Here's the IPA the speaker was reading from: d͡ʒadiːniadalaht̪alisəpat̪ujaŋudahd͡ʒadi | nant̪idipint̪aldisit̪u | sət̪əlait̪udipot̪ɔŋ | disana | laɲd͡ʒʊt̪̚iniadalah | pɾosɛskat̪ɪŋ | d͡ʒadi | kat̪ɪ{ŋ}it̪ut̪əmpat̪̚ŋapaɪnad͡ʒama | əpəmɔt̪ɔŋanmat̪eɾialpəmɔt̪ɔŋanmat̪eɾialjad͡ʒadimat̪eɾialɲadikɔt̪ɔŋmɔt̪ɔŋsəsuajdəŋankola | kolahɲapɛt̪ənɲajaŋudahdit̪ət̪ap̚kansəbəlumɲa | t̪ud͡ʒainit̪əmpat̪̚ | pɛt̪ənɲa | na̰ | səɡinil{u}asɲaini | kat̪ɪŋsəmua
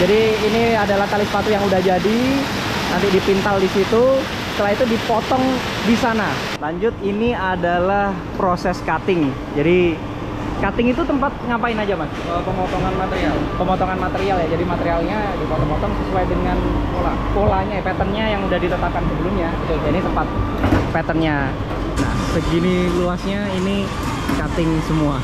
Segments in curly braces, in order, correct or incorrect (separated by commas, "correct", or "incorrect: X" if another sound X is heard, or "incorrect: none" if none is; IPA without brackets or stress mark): correct, correct